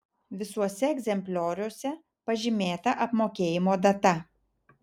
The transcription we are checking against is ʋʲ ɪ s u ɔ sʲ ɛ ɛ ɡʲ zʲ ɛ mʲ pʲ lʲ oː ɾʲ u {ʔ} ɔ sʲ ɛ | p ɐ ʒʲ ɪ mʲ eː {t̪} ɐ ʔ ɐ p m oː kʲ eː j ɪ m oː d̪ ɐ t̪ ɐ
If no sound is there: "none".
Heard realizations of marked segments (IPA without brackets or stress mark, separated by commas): none, t̪